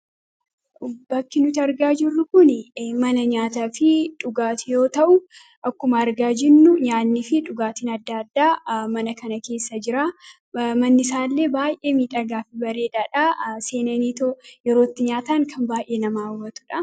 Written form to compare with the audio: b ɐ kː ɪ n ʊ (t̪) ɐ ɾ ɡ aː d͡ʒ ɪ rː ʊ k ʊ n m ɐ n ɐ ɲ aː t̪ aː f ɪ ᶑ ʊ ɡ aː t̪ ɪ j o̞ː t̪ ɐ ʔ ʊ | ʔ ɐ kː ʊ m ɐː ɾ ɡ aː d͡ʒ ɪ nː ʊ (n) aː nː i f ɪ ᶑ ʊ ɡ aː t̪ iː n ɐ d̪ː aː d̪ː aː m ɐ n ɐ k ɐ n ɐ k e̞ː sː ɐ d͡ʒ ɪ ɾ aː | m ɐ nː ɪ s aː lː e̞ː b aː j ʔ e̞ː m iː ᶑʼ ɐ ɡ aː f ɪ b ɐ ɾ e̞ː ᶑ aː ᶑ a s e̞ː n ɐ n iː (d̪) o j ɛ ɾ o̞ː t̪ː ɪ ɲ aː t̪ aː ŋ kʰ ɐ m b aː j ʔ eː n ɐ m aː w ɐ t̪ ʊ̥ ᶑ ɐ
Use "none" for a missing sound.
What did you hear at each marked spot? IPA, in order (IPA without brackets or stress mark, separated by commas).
t̪, ɲ, t̪